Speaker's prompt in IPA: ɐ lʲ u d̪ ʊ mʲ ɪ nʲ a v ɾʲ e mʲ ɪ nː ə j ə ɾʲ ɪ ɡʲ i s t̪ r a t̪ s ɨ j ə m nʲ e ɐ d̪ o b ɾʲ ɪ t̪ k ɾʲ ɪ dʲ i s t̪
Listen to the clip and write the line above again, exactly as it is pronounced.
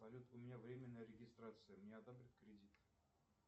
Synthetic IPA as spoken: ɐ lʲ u t̪ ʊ mʲ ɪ nʲ a v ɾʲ e mʲ ɪ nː ə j ə ɾʲ ɪ ɡʲ ɪ s t̪ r a t̪ s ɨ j ə m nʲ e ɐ d̪ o b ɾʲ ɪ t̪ k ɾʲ ɪ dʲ i t̪